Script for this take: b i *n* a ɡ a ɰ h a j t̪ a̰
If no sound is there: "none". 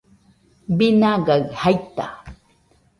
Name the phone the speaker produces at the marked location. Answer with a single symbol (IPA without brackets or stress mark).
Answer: n